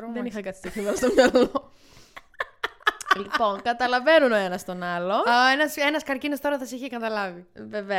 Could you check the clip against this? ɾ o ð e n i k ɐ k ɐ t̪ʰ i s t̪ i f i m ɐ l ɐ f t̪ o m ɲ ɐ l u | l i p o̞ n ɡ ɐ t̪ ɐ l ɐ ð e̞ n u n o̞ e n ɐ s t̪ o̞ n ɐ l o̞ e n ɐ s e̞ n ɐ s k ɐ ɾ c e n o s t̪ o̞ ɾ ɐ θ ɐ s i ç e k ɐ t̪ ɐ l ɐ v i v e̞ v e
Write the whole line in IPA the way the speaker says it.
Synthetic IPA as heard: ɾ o ð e n i x ɐ k ɐ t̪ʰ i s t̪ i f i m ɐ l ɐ s t̪ o m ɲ ɐ l o | l i p o̞ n k ɐ t̪ ɐ l ɐ v e̞ n u n o̞ e n ɐ s t̪ o̞ n ɐ l o̞ e n ɐ s e̞ n ɐ s k ɐ ɾ c i n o s t̪ o̞ ɾ ɐ θ ɐ s i ç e k ɐ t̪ ɐ l ɐ v i v e̞ v e